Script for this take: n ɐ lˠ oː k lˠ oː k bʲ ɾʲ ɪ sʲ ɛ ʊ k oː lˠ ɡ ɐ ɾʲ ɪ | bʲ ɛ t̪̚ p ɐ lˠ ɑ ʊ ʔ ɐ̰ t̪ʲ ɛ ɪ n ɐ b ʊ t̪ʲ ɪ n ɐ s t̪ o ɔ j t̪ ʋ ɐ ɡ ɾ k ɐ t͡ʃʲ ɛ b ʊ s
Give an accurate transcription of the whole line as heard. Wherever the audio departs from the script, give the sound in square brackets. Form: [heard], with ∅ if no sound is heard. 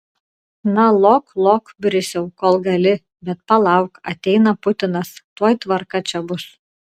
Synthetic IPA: n ɐ lˠ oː k lˠ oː k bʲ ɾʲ ɪ sʲ ɛ ʊ k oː lˠ ɡ ɐ [lʲ] ɪ | bʲ ɛ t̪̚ p ɐ lˠ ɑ ʊ [k] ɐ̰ t̪ʲ ɛ ɪ n ɐ [p] ʊ t̪ʲ ɪ n ɐ s t̪ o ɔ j t̪ ʋ ɐ [∅] ɾ k ɐ t͡ʃʲ ɛ b ʊ s

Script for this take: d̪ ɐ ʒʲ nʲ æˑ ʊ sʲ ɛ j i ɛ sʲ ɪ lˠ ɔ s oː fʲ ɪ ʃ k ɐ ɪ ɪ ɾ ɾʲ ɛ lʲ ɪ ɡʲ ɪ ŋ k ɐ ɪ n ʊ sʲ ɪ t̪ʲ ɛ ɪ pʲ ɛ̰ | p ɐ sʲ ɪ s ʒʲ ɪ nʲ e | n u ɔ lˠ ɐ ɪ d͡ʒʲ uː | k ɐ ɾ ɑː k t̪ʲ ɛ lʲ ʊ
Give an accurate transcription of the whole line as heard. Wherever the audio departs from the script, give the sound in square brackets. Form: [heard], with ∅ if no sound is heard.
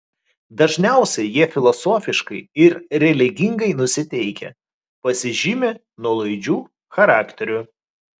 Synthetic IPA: d̪ ɐ ʒʲ nʲ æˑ ʊ sʲ ɛ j i ɛ [fʲ] ɪ lˠ ɔ s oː fʲ ɪ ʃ k ɐ ɪ ɪ ɾ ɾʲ ɛ lʲ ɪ ɡʲ ɪ ŋ [ɡ] ɐ ɪ n ʊ sʲ ɪ t̪ʲ ɛ ɪ [kʲ] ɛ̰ | p ɐ sʲ ɪ [∅] ʒʲ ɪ [mʲ] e | n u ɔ lˠ ɐ ɪ d͡ʒʲ uː | [x] ɐ ɾ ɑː k t̪ʲ ɛ [ɾʲ] ʊ

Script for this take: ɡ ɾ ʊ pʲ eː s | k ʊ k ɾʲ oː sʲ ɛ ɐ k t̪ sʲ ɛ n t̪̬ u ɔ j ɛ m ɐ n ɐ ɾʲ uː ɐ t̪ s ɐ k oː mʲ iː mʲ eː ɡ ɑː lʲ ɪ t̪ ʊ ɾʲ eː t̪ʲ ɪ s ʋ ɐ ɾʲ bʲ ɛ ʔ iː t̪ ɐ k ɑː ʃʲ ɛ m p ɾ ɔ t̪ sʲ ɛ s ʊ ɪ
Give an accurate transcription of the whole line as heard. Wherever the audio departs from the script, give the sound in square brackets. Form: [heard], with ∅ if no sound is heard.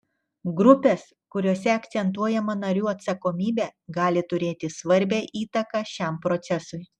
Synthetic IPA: ɡ ɾ ʊ pʲ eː s | k ʊ [∅] ɾʲ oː sʲ ɛ ɐ k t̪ sʲ ɛ n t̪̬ u ɔ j ɛ m ɐ n ɐ ɾʲ uː ɐ t̪ s ɐ k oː mʲ iː [bʲ] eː ɡ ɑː lʲ ɪ t̪ ʊ ɾʲ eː t̪ʲ ɪ s ʋ ɐ ɾʲ bʲ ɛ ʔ iː t̪ ɐ k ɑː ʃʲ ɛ m p ɾ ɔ t̪ sʲ ɛ s ʊ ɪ

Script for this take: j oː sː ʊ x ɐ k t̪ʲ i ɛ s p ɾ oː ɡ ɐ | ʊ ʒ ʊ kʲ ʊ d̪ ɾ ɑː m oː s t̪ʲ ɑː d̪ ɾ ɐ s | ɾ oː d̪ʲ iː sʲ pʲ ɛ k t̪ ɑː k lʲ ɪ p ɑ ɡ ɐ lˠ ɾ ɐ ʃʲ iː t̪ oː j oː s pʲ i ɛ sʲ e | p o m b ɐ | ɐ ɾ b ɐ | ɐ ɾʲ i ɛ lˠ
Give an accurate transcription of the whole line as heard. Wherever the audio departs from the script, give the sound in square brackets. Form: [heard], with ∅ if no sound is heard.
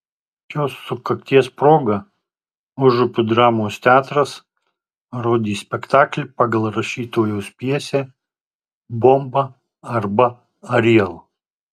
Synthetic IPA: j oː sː ʊ [k] ɐ k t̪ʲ i ɛ s p ɾ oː ɡ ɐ | ʊ ʒ ʊ [pʲ] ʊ d̪ ɾ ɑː m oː s t̪ʲ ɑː [t̪] ɾ ɐ s | ɾ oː d̪ʲ iː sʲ pʲ ɛ k t̪ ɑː k lʲ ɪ p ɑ ɡ ɐ lˠ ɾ ɐ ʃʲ iː t̪ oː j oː s pʲ i ɛ sʲ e | [b] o m b ɐ | ɐ ɾ b ɐ | ɐ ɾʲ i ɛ lˠ

